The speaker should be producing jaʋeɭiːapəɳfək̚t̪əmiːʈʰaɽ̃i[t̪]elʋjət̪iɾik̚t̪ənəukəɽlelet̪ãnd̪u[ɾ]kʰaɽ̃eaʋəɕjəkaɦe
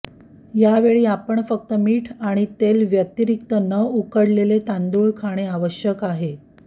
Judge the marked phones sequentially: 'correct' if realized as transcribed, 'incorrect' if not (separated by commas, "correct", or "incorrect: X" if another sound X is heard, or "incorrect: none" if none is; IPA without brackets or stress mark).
correct, incorrect: ɭ